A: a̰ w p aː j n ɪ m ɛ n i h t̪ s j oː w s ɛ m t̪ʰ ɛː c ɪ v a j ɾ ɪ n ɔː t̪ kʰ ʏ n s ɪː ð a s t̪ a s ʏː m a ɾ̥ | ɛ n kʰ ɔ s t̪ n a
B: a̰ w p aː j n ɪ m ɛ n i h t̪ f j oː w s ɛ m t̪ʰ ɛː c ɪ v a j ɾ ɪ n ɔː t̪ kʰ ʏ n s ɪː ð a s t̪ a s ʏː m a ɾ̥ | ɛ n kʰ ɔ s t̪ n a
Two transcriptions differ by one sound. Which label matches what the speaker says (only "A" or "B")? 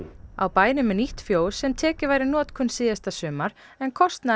B